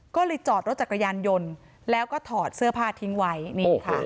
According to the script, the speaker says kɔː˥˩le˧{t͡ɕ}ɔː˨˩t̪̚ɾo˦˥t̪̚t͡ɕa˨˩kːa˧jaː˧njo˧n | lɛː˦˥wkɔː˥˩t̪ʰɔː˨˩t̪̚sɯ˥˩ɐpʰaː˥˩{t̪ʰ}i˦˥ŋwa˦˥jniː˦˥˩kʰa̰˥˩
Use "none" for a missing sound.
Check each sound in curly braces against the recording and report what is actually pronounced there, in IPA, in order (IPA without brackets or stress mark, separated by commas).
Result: t͡ɕ, t̪ʰ